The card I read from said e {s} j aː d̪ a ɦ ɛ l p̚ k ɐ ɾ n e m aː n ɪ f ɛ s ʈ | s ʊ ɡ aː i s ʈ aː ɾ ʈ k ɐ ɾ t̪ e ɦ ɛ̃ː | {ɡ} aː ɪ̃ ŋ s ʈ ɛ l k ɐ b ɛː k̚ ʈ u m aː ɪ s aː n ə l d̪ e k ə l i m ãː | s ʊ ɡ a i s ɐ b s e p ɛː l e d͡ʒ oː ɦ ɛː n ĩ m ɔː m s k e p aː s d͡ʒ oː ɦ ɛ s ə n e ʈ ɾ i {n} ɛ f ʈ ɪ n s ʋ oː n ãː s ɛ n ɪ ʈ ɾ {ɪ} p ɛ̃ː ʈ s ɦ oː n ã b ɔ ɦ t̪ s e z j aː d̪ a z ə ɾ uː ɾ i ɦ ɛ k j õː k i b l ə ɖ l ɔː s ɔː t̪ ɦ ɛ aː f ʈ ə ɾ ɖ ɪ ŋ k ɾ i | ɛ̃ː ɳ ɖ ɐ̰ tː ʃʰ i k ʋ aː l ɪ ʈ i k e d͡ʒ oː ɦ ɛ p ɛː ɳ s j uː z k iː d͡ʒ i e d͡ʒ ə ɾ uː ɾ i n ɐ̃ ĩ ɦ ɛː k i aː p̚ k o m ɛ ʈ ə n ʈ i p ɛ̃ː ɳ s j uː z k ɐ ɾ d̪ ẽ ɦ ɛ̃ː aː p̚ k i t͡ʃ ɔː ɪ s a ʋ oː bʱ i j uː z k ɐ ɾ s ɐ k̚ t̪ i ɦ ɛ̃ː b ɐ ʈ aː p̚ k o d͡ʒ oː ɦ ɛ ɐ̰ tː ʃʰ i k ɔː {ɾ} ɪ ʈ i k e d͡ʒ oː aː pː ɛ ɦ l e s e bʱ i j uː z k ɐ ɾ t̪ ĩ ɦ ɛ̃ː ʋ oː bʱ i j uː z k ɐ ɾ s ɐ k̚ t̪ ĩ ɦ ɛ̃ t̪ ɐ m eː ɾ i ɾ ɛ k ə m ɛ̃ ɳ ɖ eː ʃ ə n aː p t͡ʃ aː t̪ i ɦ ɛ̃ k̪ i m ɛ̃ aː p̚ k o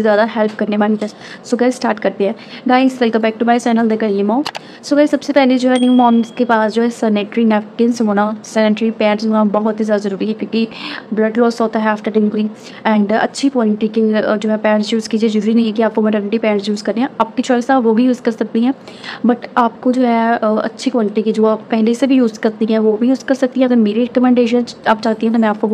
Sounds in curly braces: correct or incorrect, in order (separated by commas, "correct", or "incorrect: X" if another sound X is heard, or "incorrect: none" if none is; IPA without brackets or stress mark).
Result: incorrect: z, correct, correct, incorrect: i, incorrect: l